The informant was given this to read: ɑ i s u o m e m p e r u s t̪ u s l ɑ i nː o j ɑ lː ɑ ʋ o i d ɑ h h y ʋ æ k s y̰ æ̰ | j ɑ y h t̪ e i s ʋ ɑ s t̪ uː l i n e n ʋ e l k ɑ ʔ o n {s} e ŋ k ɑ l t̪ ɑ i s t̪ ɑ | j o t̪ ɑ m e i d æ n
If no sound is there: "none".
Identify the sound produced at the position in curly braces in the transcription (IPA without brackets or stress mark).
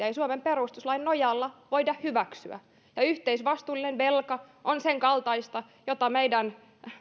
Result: s